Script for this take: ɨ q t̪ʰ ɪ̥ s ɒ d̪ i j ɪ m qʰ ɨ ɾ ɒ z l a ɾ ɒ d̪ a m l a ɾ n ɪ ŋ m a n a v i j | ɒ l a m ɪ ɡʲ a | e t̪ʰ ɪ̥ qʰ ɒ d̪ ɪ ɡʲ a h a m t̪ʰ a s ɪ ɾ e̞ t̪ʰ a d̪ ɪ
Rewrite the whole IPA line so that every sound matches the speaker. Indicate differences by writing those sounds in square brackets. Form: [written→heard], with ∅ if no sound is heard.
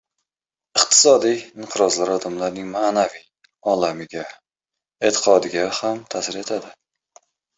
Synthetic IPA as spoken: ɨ q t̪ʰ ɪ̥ s ɒ d̪ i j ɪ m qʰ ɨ ɾ ɒ z l a ɾ ɒ d̪ a m l a ɾ n ɪ ŋ m a n a v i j | ɒ l a m ɪ ɡʲ a | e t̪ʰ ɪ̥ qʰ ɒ d̪ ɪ ɡʲ a h a m t̪ʰ a s ɪ ɾ e̞ t̪ʰ a d̪ ɪ